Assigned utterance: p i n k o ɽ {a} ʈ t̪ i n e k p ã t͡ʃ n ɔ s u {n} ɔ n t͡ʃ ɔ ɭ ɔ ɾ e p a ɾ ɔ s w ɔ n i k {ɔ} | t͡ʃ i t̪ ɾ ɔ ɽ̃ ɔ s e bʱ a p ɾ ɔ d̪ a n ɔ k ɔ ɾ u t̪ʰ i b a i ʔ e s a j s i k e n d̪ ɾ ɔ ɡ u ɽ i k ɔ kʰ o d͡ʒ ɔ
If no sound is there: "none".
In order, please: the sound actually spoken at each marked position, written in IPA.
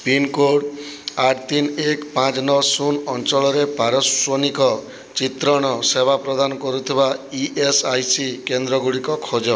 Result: a, n, ɔ

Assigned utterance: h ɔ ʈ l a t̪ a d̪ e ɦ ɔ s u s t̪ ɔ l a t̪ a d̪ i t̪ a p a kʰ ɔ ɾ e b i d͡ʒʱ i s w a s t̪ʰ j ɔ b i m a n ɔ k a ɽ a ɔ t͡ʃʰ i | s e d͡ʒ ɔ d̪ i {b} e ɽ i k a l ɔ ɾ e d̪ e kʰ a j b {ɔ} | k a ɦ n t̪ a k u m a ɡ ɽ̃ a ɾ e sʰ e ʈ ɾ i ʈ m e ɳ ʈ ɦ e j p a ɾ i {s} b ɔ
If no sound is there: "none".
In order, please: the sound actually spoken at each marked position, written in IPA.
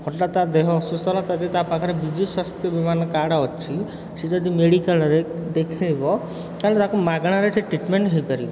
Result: m, ɔ, none

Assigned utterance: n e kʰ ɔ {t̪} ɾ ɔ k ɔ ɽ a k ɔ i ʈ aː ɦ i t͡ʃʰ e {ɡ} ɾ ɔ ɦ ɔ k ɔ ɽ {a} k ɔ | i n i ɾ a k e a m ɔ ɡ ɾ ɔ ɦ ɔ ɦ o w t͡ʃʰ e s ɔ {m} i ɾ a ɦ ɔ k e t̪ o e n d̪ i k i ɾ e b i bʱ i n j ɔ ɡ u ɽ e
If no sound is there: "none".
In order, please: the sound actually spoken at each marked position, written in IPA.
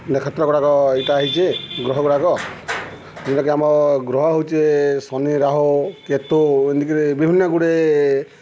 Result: t̪, ɡ, a, n

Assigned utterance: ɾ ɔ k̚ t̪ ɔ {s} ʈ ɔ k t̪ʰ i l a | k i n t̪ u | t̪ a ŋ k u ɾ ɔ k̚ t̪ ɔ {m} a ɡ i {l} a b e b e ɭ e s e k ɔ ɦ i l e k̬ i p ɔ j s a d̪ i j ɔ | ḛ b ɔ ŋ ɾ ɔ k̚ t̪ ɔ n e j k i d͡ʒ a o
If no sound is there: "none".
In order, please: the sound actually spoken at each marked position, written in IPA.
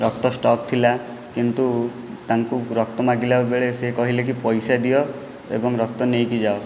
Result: s, m, l

